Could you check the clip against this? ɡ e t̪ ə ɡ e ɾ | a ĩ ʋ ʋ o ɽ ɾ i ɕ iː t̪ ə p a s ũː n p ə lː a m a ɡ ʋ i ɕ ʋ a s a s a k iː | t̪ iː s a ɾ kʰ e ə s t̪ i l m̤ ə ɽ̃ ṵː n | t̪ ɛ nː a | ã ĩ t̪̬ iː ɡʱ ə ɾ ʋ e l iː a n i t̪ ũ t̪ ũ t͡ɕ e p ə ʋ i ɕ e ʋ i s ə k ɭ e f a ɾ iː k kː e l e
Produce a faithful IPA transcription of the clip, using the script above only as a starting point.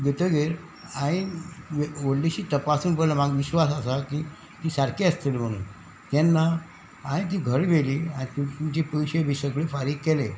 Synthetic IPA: ɡ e t̪ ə ɡ e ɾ | a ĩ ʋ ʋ o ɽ l i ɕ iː t̪ ə p a s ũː n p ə l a m a ɡ ʋ i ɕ ʋ a s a s a k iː | t̪ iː s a ɾ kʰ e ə s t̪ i l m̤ ə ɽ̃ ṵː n | t̪ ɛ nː a | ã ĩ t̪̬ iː ɡʱ ə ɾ ʋ e l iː a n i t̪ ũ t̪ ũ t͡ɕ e p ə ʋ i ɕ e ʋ i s ə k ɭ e f a ɾ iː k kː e l e